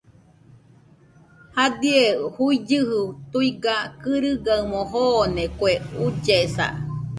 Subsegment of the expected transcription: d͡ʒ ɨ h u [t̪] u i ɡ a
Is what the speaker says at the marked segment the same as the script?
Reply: yes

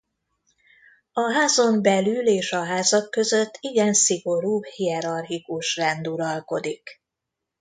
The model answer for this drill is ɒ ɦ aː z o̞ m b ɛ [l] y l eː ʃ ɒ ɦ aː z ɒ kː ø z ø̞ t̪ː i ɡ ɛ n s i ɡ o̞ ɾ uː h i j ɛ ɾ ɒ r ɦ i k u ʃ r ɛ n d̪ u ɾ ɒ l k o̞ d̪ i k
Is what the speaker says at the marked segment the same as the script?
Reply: yes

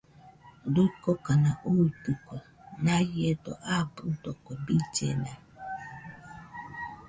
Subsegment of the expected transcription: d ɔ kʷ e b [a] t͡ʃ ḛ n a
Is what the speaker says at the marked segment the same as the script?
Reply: no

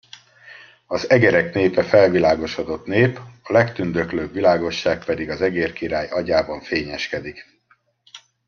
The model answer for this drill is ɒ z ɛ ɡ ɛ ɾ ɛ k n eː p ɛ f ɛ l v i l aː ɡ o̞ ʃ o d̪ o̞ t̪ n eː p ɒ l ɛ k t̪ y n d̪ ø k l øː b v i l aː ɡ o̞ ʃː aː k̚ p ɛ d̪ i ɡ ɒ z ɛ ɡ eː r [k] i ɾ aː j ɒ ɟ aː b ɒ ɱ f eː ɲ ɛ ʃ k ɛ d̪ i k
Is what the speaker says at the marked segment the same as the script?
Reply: yes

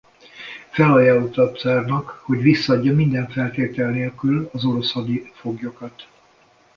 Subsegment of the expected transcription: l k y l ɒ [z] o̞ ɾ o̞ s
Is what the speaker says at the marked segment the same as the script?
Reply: yes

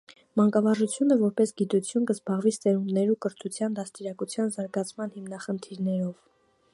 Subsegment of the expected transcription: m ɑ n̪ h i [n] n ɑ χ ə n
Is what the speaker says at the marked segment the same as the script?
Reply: no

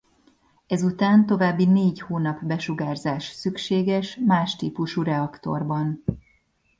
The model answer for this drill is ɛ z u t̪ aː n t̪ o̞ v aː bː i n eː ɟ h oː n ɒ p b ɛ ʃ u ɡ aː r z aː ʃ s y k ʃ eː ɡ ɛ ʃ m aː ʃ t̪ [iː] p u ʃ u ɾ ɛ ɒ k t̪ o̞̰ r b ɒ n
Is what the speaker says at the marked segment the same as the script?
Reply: yes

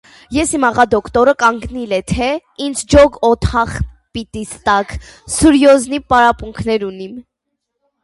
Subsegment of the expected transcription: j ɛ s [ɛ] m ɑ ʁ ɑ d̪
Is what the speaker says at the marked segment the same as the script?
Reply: no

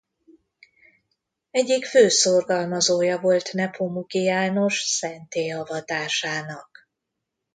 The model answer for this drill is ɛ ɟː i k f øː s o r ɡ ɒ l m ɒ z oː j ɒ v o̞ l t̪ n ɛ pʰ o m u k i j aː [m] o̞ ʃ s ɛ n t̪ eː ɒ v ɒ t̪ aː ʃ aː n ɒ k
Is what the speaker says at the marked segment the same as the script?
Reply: no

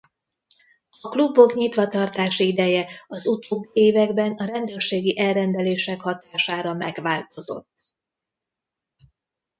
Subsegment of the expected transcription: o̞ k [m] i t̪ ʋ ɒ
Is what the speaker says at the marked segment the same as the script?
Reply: no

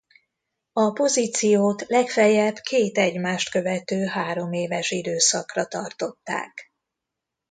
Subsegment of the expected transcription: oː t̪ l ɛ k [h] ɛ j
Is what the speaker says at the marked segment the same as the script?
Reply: no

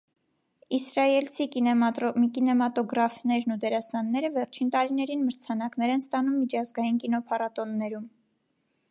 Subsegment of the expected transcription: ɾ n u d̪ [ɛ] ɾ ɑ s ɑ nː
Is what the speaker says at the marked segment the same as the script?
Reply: yes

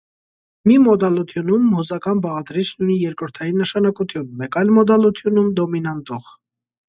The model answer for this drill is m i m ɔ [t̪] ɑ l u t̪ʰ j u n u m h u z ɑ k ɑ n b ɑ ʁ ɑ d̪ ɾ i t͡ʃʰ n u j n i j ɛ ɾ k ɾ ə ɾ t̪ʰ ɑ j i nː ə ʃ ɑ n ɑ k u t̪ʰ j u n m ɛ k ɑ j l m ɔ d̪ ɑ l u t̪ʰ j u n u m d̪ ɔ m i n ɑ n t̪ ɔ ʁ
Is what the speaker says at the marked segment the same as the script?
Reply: no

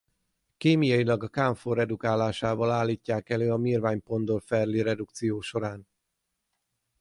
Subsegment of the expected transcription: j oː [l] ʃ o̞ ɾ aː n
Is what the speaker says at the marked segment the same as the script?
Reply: no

